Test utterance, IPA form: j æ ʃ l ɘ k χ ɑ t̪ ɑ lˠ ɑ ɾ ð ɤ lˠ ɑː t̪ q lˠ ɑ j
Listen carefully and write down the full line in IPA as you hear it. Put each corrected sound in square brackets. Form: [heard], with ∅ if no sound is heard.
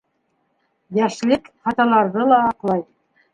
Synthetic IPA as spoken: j æ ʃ l ɘ k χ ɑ t̪ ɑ lˠ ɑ ɾ ð ɤ lˠ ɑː [∅] q lˠ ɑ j